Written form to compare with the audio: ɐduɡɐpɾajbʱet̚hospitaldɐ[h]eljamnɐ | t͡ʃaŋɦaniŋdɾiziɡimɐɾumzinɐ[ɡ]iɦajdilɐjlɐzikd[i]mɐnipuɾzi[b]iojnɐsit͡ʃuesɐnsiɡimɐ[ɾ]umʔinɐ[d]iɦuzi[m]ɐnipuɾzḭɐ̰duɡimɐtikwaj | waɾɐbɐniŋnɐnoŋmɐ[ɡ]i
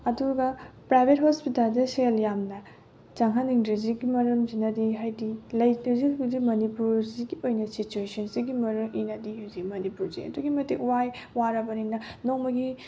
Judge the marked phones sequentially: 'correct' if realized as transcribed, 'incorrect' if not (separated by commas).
incorrect, incorrect, correct, incorrect, correct, correct, correct, correct